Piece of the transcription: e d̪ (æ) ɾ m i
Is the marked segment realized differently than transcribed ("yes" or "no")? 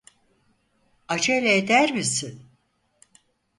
no